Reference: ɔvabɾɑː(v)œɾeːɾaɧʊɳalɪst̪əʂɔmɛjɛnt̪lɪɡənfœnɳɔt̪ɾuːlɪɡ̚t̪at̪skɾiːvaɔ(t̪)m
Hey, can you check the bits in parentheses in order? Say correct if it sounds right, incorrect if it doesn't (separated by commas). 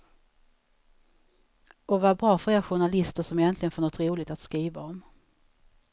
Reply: incorrect, incorrect